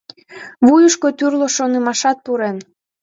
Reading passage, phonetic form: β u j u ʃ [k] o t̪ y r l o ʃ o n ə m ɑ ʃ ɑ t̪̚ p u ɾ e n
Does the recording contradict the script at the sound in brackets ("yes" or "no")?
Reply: no